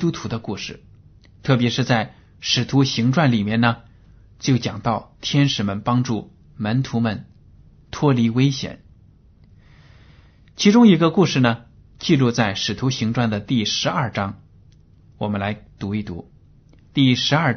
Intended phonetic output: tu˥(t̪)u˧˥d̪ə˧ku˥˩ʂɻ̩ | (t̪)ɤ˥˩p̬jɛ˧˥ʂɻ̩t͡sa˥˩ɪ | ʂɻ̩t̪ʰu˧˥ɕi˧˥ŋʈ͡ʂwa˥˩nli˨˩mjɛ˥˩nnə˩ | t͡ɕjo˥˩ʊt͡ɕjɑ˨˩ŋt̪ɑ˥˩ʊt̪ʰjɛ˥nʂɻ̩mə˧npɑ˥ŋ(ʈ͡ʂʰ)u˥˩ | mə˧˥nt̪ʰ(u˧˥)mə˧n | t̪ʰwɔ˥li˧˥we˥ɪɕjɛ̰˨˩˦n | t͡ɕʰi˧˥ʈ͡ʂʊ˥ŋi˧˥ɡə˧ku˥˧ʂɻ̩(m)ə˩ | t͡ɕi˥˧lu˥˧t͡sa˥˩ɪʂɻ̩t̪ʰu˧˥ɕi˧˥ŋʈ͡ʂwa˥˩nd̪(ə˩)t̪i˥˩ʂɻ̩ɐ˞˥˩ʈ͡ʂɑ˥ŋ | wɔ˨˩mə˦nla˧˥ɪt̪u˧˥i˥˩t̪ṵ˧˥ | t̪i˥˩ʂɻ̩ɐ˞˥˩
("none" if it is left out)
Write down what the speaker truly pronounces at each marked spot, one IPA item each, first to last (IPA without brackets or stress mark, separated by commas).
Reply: t̪ʰ, t̪ʰ, ʈ͡ʂ, u˧˥, n, ə˩